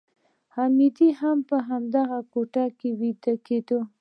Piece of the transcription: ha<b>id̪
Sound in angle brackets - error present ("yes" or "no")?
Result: yes